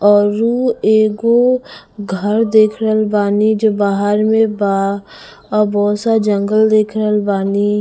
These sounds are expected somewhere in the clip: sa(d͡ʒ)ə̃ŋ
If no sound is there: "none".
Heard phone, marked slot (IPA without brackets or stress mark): d͡ʒ